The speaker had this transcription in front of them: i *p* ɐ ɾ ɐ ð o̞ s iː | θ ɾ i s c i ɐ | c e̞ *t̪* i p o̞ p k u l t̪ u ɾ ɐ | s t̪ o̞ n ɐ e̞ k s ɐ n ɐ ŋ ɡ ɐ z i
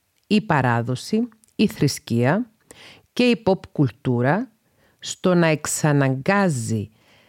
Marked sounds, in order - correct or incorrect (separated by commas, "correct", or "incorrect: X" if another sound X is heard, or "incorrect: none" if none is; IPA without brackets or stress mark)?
correct, incorrect: none